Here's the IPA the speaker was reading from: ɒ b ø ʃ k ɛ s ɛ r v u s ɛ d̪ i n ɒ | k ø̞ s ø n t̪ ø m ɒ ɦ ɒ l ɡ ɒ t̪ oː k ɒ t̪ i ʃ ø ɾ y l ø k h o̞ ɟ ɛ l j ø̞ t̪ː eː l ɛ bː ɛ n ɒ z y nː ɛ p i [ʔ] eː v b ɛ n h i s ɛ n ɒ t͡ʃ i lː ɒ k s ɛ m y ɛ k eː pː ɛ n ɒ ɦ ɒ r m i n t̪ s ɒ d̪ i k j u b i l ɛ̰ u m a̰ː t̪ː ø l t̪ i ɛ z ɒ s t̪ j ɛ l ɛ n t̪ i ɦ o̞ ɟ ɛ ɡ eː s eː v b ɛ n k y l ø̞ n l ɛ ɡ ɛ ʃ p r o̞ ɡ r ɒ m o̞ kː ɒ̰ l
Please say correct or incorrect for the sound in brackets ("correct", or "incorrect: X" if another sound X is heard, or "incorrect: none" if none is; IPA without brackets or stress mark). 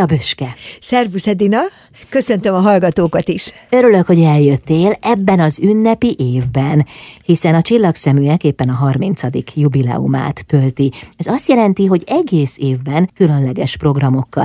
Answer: correct